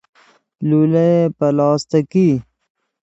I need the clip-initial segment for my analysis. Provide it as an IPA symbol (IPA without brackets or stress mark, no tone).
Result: l